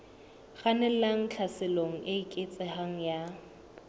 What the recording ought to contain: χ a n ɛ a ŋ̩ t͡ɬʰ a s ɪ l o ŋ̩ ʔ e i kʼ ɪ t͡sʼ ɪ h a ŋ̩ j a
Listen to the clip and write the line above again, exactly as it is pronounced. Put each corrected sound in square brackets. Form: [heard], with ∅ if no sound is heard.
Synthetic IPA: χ a n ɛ a ŋ̩ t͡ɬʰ a s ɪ l o ŋ̩ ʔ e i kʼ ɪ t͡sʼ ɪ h a ŋ̩ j a